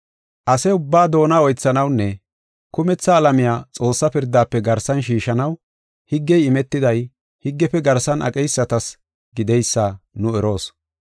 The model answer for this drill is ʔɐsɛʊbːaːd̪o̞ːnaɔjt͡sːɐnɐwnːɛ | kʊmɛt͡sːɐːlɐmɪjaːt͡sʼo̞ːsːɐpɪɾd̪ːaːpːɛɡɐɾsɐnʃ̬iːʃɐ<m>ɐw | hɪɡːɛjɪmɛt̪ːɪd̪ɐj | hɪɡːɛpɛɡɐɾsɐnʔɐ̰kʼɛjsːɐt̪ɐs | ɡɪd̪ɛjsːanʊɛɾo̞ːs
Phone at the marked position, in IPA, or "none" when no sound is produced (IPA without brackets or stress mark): n